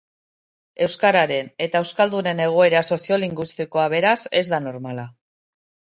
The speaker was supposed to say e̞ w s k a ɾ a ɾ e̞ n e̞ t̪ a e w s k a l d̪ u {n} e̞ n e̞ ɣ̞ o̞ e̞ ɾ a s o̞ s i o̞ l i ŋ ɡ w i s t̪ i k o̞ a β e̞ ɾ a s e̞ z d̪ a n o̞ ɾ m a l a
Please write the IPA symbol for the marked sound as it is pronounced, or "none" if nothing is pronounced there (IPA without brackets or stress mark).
n